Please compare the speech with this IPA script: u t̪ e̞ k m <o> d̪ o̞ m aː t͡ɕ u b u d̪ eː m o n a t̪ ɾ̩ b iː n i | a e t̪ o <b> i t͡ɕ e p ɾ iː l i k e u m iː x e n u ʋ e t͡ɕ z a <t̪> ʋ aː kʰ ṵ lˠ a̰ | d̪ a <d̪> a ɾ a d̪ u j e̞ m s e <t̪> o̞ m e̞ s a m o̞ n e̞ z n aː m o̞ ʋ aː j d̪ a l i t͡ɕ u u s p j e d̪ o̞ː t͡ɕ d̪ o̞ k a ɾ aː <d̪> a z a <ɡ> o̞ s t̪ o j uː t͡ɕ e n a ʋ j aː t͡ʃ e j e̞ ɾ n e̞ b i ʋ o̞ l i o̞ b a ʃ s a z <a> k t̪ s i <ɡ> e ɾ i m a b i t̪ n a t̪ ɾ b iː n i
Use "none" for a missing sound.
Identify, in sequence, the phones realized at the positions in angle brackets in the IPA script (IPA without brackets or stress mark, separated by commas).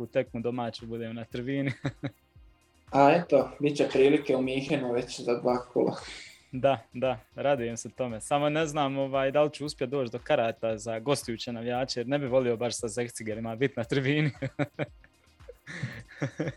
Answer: u, b, d̪, d̪, t̪, t̪, ɡ, e, ɡ